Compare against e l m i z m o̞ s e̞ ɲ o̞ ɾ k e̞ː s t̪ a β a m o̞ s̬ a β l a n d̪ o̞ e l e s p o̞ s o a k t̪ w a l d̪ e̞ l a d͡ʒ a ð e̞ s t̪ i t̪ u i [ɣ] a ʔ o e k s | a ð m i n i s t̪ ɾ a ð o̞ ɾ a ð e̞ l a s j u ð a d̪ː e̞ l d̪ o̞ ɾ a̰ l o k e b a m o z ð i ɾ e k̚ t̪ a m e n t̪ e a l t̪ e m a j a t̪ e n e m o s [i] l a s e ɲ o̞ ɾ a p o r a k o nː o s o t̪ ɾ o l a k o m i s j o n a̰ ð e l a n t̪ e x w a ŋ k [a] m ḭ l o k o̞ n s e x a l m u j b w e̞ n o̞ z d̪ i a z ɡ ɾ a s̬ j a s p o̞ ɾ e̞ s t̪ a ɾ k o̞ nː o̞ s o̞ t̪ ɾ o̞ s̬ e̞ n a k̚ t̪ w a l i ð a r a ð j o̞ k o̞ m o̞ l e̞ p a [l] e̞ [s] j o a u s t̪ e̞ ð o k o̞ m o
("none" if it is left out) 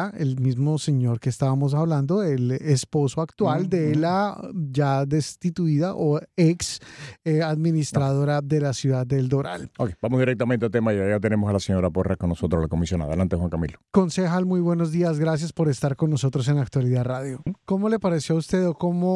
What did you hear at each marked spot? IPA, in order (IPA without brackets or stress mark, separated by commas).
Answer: ð, a, a, ɾ, s